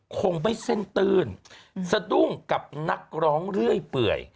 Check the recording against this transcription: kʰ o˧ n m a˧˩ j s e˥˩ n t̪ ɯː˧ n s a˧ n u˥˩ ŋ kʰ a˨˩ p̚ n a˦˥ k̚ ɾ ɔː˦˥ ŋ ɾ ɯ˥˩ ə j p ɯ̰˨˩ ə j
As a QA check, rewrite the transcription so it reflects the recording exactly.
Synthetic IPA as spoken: kʰ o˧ ŋ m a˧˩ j s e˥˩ n t̪ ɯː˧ n s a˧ d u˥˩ ŋ k a˨˩ p̚ n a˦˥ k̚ ɾ ɔː˦˥ ŋ ɾ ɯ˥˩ ə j p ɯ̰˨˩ ə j